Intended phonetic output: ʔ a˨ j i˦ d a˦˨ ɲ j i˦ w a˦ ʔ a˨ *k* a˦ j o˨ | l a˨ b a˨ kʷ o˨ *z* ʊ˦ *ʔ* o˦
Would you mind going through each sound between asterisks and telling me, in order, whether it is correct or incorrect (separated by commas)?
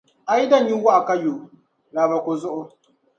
correct, correct, correct